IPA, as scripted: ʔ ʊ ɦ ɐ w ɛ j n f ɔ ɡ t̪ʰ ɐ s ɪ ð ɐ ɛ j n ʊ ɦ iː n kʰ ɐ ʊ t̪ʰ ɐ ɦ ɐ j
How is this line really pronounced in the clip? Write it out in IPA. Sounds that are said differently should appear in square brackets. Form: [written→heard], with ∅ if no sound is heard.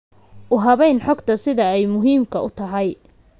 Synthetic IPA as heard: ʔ ʊ ɦ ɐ [w→β] ɛ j n [f→ħ] ɔ ɡ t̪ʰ ɐ s ɪ ð ɐ ɛ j [n→m] ʊ ɦ iː [n→m] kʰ ɐ ʊ t̪ʰ ɐ ɦ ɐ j